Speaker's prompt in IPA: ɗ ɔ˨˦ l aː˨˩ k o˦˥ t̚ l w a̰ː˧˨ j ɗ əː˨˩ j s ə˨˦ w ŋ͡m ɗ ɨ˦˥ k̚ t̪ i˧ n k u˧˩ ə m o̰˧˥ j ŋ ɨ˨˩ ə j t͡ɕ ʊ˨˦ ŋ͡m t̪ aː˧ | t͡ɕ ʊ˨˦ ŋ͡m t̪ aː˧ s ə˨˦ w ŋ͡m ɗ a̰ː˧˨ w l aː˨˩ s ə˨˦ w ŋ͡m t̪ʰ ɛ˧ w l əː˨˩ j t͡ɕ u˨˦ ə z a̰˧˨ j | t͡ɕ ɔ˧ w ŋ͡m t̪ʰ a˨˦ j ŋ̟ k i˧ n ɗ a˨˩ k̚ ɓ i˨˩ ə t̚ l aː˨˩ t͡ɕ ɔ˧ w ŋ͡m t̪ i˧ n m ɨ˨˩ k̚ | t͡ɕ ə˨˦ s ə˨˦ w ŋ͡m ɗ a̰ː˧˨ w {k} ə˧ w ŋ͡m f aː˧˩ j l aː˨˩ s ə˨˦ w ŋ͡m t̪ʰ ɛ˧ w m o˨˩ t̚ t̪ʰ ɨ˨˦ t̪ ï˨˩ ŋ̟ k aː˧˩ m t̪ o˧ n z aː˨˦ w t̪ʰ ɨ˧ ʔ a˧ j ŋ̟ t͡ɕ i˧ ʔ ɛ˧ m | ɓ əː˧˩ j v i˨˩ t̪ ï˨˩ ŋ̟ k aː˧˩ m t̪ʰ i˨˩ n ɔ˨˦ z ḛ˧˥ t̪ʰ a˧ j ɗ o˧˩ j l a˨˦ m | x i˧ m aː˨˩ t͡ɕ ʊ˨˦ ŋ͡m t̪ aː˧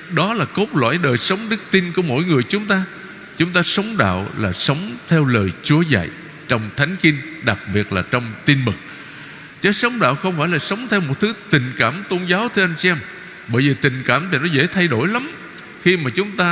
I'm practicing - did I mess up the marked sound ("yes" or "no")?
yes